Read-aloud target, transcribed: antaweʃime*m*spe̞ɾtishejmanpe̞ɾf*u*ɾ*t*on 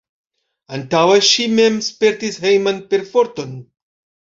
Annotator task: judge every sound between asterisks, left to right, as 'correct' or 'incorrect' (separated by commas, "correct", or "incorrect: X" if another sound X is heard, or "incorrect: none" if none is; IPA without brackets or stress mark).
correct, incorrect: o, correct